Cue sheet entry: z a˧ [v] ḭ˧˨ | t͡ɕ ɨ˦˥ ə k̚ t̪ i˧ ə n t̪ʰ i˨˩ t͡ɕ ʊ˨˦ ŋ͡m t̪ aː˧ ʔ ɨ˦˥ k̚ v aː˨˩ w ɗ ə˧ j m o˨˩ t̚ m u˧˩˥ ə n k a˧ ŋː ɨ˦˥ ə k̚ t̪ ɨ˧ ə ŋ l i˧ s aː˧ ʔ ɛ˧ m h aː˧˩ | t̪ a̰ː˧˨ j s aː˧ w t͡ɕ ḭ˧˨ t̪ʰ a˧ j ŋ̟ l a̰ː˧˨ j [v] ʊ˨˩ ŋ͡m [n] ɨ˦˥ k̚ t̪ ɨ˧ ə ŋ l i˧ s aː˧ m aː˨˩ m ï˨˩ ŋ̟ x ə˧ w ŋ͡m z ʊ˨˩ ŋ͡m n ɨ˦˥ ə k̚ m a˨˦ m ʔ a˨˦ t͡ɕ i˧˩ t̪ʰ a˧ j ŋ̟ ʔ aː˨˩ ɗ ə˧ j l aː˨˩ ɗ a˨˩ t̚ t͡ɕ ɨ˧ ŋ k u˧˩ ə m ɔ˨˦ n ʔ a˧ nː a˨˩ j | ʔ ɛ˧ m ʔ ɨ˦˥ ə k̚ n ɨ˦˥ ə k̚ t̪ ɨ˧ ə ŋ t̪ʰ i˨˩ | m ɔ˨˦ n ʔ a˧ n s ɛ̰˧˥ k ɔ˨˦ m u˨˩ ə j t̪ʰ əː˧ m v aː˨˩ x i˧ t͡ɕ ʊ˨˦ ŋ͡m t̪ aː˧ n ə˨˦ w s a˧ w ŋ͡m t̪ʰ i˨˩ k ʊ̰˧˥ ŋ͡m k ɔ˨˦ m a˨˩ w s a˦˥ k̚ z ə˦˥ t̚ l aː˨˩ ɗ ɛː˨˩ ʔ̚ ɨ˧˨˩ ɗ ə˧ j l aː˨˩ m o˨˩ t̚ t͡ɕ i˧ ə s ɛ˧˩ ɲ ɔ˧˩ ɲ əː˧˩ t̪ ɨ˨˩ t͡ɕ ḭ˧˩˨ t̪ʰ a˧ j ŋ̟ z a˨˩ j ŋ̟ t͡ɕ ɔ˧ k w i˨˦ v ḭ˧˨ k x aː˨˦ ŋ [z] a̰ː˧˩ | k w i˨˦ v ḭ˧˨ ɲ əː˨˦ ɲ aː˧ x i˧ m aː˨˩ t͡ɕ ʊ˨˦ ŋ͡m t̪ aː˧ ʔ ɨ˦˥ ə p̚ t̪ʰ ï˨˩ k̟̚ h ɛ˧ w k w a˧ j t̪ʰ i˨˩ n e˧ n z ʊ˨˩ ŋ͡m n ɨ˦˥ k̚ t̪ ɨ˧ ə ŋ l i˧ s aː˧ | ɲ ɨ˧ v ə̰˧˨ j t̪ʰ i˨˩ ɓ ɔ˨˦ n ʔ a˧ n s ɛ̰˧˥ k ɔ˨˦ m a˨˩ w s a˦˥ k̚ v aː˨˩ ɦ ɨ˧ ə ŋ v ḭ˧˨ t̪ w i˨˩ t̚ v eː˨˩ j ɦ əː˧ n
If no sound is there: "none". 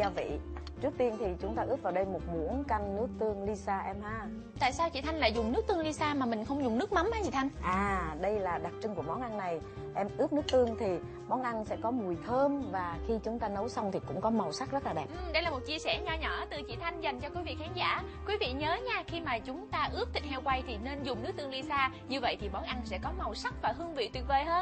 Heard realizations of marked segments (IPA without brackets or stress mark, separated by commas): v, z, n, z